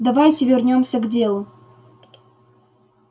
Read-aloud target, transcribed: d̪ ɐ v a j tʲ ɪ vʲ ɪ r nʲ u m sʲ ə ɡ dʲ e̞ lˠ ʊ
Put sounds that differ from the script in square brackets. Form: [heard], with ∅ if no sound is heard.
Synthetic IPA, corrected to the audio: d̪ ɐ v a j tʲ ɪ vʲ ɪ r nʲ [o] m sʲ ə ɡ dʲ e̞ lˠ ʊ